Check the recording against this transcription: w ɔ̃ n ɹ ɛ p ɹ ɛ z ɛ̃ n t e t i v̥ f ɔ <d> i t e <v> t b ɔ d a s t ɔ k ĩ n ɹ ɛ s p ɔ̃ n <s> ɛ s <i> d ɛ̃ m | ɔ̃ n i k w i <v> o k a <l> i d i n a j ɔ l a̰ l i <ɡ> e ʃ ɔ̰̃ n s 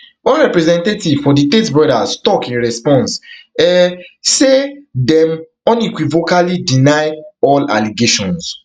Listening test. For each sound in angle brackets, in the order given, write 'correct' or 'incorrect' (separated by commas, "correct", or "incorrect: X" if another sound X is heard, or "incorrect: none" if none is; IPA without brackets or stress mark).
correct, incorrect: none, correct, incorrect: e, correct, correct, correct